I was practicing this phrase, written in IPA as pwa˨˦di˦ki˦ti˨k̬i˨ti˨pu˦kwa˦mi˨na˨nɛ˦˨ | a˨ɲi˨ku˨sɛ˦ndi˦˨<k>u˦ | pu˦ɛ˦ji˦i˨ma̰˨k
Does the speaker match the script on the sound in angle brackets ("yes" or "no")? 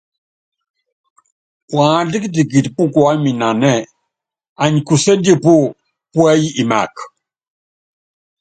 no